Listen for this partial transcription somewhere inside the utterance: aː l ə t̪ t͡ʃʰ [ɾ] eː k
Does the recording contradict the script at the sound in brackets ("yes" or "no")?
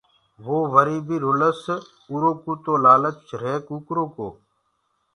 no